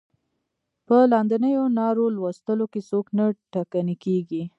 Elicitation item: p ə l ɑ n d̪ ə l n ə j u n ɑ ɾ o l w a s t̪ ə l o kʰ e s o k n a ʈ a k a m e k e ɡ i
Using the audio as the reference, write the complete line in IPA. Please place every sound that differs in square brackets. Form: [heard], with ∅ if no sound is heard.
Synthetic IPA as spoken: p ə l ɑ n d̪ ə [∅] n ə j [o] n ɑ ɾ o l w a s t̪ ə l o [k] e s o k n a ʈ a k a [n] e k e ɡ i